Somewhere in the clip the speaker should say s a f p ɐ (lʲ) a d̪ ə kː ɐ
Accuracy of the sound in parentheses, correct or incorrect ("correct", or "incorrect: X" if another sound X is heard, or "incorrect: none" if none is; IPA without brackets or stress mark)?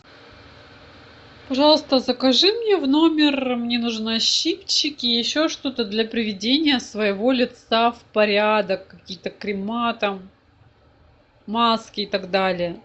incorrect: ɾʲ